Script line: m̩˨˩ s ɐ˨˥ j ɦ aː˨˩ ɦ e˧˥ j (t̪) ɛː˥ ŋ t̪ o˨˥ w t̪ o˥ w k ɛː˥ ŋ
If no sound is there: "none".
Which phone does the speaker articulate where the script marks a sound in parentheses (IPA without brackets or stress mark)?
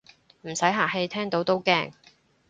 t̪ʰ